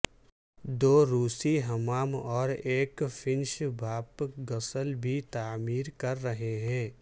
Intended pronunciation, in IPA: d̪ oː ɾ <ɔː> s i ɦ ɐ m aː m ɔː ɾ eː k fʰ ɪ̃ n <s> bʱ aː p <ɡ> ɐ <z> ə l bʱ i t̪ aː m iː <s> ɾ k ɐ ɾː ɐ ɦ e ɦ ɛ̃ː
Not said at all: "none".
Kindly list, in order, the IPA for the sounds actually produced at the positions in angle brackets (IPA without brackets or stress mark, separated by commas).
uː, ʃ, ɡ, s, none